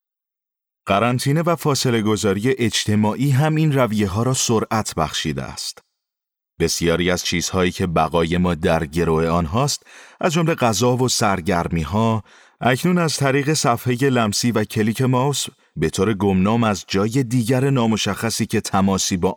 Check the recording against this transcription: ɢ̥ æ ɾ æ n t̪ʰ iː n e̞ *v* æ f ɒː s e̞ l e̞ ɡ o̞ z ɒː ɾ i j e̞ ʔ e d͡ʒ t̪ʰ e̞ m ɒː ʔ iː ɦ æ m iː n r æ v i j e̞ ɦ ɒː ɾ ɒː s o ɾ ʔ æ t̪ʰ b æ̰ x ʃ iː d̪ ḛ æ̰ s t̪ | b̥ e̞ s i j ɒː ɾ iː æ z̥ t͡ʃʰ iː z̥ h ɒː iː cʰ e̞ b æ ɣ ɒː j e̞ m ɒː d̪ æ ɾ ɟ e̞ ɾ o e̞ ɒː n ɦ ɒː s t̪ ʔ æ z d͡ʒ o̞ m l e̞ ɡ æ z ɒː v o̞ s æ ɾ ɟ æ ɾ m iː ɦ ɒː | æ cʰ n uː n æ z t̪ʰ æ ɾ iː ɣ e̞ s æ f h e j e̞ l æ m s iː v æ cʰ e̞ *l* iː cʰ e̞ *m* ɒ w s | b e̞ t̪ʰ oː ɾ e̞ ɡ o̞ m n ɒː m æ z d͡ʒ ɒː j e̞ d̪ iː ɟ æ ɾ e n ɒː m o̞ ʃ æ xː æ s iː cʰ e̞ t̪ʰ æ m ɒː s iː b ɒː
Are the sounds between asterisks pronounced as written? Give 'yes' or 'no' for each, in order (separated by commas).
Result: yes, yes, yes